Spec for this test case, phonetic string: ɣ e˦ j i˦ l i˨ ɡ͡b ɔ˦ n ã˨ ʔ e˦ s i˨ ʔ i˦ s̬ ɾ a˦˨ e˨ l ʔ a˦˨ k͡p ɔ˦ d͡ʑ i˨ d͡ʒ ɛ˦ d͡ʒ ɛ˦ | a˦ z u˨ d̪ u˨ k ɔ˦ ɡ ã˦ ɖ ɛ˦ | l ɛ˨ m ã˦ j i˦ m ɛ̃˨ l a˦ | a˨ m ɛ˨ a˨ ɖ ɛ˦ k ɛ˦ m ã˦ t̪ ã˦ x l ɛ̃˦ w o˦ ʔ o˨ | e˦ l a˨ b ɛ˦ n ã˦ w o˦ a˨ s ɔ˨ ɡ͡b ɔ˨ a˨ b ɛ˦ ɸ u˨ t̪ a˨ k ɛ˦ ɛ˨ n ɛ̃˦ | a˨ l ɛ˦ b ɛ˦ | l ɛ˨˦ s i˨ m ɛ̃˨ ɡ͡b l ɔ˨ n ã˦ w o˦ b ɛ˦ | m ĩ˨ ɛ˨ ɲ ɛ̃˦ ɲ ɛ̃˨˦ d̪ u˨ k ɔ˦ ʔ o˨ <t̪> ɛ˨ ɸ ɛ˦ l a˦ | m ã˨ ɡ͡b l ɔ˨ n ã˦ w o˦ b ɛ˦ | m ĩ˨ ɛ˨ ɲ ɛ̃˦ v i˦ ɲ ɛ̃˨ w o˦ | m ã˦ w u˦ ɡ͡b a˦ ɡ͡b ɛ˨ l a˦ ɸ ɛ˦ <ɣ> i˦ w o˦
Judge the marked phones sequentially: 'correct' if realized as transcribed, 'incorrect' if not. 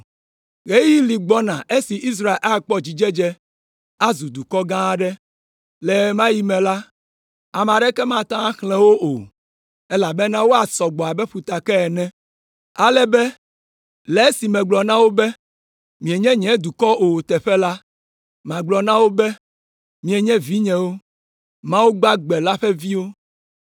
correct, incorrect

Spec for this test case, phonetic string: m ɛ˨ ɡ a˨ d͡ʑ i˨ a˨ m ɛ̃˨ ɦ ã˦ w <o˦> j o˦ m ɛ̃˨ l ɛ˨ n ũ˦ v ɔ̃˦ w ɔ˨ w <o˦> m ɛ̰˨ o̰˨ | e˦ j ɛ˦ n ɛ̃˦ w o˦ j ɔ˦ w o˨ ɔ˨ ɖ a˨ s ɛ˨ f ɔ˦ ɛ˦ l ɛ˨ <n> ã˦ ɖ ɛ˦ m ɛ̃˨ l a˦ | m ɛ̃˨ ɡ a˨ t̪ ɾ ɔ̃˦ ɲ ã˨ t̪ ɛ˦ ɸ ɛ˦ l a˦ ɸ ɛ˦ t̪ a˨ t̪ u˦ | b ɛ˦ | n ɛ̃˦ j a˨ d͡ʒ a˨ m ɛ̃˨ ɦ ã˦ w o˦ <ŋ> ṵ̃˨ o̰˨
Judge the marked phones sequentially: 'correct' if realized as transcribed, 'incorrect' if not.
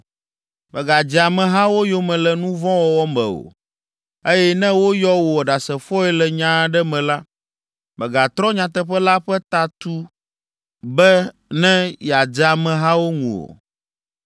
correct, incorrect, incorrect, correct

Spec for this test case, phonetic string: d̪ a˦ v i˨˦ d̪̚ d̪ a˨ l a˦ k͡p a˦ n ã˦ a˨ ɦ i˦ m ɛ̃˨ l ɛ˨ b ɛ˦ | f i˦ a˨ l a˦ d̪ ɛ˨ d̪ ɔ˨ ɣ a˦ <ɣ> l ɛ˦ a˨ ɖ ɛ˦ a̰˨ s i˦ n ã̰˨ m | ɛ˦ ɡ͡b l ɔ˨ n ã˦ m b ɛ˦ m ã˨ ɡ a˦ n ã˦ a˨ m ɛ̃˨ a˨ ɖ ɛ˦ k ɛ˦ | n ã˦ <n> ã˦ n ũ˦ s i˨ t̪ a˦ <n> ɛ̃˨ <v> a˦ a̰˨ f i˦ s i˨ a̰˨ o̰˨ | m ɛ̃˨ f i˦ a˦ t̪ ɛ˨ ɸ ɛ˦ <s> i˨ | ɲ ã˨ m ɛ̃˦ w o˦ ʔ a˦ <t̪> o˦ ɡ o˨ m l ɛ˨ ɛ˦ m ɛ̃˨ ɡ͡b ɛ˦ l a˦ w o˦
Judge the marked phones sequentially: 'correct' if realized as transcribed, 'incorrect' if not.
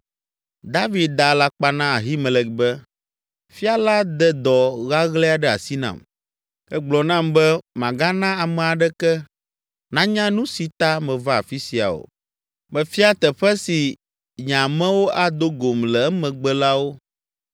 correct, incorrect, incorrect, correct, correct, incorrect

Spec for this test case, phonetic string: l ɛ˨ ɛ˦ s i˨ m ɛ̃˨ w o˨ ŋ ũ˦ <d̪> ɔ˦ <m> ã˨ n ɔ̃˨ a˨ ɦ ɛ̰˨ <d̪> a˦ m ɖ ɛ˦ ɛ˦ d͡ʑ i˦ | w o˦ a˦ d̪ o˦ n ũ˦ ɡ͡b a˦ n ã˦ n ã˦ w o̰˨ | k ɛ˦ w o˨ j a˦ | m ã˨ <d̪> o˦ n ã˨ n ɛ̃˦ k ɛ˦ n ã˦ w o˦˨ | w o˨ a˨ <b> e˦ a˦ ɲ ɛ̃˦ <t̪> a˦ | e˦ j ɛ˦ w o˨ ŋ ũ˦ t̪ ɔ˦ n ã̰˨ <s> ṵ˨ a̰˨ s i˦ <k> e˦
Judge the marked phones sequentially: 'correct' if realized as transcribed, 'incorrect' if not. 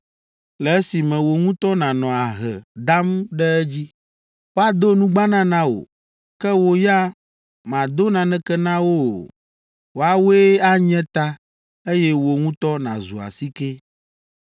incorrect, incorrect, correct, correct, incorrect, correct, incorrect, correct

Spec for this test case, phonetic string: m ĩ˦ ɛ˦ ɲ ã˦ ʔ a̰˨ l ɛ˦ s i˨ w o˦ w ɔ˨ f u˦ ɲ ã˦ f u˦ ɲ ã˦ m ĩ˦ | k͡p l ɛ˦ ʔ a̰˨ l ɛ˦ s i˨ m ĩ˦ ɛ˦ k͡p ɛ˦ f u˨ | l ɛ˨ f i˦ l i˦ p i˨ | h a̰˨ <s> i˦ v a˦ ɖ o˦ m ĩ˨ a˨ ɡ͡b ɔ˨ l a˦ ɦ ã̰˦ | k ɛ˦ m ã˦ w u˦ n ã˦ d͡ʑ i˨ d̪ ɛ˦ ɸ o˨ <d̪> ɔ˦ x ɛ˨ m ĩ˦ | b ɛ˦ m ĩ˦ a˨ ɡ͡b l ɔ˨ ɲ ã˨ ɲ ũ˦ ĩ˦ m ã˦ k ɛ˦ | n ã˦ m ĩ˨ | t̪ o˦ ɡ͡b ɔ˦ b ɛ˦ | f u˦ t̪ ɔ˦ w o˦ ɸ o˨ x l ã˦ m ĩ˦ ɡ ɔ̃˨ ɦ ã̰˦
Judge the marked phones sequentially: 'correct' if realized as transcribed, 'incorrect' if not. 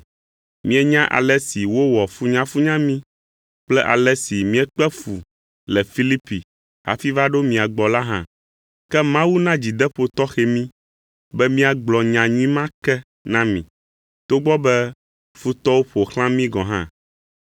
incorrect, incorrect

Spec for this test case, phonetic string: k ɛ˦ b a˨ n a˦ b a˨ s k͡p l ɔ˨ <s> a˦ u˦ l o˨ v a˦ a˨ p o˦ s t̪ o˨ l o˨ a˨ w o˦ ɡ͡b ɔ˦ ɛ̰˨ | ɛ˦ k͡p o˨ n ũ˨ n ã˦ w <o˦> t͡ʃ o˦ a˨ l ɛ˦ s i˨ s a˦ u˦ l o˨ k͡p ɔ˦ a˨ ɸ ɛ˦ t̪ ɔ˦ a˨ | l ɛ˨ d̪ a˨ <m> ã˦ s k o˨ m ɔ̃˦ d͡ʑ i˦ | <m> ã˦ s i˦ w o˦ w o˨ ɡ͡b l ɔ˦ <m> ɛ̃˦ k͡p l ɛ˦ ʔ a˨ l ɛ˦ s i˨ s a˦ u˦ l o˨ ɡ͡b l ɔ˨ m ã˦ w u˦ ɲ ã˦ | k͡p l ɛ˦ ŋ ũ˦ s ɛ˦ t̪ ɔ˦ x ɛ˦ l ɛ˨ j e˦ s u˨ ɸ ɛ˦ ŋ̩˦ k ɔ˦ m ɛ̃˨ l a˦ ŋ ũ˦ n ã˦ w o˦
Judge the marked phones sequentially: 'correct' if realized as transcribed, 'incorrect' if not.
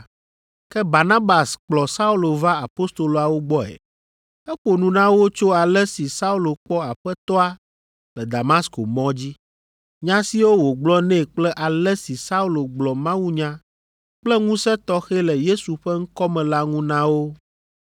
correct, correct, correct, incorrect, incorrect

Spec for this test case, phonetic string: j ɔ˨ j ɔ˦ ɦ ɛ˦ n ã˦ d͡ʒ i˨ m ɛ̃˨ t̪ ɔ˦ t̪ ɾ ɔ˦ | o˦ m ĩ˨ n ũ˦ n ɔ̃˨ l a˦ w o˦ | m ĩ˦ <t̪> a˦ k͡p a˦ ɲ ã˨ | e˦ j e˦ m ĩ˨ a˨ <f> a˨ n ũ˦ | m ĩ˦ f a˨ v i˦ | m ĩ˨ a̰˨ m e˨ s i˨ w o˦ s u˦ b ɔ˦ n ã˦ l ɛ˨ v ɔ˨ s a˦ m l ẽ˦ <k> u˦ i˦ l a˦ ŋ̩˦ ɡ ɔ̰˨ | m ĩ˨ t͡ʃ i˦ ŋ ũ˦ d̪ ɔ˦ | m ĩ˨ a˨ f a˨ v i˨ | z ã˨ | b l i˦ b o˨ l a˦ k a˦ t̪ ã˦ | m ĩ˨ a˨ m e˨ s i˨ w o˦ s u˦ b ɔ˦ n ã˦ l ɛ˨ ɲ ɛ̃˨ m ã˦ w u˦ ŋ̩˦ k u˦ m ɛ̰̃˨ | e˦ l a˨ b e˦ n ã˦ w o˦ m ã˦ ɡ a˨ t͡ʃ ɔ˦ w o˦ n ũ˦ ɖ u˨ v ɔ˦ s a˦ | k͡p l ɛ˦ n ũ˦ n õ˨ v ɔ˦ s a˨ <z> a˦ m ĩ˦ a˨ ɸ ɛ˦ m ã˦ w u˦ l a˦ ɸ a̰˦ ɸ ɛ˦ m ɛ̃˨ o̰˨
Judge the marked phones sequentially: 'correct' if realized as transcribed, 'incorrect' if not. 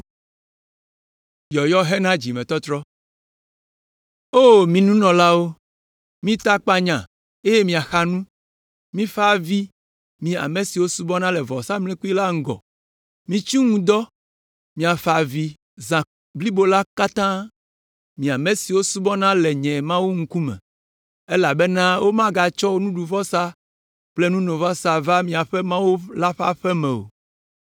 correct, incorrect, correct, incorrect

